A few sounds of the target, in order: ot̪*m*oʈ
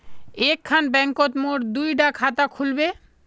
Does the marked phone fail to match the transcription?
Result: no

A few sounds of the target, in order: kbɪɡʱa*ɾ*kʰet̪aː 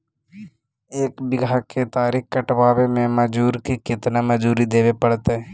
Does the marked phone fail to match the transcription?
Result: yes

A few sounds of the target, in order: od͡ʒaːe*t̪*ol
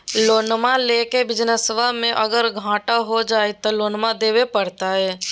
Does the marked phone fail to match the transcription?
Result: no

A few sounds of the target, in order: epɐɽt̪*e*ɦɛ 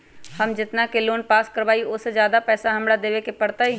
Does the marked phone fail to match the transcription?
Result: yes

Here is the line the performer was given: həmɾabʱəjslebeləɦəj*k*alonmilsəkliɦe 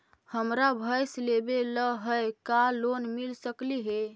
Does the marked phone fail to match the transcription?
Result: no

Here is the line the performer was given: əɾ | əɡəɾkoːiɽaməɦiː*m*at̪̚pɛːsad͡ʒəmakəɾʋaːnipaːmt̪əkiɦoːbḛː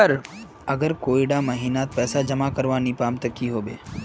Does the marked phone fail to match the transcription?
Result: yes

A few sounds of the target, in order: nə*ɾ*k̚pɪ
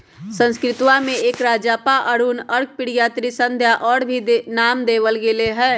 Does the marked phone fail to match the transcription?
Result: no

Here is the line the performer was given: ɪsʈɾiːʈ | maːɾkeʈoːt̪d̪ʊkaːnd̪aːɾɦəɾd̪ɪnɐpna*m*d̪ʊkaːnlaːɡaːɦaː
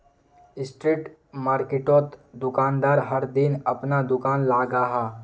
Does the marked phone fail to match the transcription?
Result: yes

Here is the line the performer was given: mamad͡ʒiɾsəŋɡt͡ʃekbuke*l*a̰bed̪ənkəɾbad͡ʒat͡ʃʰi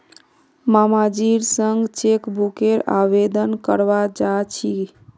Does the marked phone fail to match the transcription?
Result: yes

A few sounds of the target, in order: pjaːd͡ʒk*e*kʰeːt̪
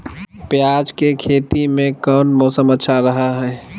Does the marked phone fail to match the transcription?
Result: no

